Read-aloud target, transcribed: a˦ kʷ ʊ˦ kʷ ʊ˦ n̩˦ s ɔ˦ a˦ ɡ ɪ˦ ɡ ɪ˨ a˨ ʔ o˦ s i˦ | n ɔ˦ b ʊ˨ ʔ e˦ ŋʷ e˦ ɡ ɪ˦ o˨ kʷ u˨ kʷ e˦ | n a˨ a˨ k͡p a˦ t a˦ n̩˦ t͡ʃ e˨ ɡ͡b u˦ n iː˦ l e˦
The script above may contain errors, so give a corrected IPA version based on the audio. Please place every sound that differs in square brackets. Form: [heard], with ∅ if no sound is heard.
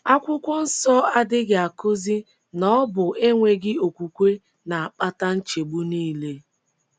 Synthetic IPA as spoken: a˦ kʷ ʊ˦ kʷ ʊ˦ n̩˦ s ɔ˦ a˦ [d] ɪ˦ ɡ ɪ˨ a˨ [k] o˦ [z] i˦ | n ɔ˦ b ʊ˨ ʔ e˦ ŋʷ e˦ ɡ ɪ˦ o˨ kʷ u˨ kʷ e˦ | n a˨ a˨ k͡p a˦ t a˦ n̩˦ t͡ʃ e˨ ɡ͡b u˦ n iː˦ l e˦